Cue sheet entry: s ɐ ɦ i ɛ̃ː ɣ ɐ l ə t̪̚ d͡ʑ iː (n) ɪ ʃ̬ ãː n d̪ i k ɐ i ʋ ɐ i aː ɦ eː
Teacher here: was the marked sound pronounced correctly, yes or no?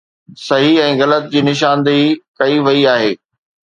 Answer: yes